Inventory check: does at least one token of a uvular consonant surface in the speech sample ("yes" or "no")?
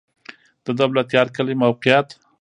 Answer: yes